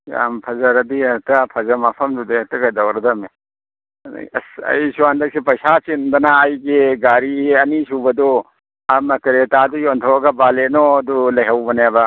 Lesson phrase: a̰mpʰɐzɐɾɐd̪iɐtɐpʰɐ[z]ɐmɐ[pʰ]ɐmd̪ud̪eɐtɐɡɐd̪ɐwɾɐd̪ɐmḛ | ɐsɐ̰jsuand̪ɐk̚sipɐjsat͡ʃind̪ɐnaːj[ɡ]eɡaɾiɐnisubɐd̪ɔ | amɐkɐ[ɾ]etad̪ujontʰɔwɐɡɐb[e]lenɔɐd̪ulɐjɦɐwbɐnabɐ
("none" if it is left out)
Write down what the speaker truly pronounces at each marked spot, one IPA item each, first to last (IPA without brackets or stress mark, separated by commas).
z, pʰ, ɡ, ɾ, a